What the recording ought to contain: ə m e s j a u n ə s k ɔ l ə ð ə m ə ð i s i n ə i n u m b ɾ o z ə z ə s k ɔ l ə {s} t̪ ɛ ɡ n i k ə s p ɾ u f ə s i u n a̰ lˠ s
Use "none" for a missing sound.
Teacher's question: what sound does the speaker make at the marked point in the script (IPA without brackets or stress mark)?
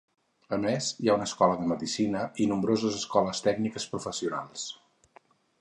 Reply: s